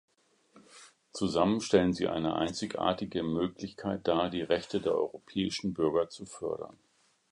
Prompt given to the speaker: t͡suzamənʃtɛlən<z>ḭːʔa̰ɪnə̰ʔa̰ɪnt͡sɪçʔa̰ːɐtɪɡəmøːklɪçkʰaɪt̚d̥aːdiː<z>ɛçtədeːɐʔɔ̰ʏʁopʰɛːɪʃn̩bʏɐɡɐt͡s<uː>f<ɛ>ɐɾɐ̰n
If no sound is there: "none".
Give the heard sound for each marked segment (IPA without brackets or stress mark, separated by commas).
z, ʁ, u, œ